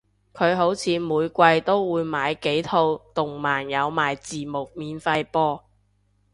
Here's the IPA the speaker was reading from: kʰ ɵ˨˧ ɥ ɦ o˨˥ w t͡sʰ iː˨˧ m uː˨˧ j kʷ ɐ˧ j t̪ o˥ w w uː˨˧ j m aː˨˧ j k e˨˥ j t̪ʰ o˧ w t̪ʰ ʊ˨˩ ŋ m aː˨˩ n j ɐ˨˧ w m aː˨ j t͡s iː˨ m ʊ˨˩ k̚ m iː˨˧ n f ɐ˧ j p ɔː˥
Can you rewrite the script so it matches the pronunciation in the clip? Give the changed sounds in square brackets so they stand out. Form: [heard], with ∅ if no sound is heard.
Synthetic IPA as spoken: kʰ ɵ˨˧ ɥ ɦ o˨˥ w t͡sʰ iː˨˧ m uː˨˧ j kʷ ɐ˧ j t̪ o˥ w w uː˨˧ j m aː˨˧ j k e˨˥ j t̪ʰ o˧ w [t̪] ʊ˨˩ ŋ m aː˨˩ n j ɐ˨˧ w m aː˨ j t͡s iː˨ m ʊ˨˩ k̚ m iː˨˧ n f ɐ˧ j p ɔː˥